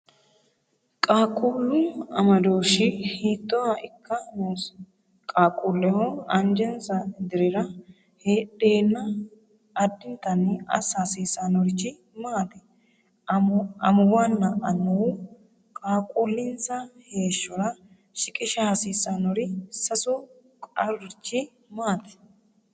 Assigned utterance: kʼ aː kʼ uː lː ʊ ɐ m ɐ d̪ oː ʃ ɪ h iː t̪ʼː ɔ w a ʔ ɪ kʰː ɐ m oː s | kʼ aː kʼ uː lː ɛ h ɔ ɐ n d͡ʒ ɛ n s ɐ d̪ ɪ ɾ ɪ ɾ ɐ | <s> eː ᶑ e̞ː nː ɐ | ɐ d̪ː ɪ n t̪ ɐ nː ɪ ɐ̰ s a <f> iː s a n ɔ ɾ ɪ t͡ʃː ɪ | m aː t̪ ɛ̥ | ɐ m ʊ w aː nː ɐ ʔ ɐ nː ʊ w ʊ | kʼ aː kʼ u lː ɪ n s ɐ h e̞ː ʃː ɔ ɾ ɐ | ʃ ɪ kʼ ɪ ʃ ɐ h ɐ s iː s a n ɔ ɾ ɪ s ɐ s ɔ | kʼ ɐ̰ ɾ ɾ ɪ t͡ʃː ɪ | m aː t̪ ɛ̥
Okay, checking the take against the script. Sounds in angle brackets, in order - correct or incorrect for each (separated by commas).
incorrect, incorrect